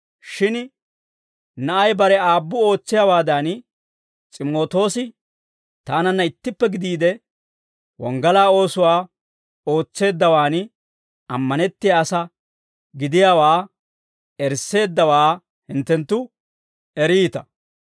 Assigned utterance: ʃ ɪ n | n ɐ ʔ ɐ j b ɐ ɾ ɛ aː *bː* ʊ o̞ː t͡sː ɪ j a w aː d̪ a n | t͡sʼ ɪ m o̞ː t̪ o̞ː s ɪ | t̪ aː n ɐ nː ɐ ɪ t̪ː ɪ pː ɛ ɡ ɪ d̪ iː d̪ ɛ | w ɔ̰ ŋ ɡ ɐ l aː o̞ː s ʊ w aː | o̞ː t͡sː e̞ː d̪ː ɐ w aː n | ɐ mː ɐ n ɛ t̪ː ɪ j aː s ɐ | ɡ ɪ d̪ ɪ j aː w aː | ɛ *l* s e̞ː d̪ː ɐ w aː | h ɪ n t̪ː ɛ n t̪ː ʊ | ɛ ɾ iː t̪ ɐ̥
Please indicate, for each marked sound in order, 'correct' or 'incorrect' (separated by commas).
correct, incorrect